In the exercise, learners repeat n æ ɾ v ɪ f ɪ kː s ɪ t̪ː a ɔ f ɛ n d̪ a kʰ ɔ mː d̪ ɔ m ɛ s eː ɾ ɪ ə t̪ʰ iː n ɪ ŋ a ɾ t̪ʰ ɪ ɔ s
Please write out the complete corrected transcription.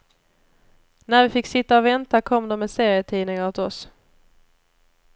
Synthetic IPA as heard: n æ ɾ v ɪ f ɪ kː s ɪ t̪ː a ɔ v ɛ n t̪ a kʰ ɔ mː d̪ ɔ m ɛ s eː ɾ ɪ ə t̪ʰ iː n ɪ ŋ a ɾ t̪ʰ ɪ ɔ s